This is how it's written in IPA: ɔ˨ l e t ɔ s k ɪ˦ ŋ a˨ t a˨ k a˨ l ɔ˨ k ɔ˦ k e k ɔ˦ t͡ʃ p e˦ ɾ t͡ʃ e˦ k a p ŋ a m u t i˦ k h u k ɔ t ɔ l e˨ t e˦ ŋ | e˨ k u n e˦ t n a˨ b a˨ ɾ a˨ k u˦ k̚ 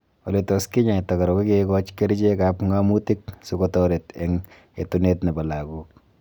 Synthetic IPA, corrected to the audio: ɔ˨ l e t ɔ s k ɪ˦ ɲ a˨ t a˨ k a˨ ɾ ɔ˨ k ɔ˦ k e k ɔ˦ t͡ʃ k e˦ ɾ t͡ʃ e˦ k a p ŋ a m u t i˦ k s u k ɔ t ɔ ɾ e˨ t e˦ ŋ | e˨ t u n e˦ t n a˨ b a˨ l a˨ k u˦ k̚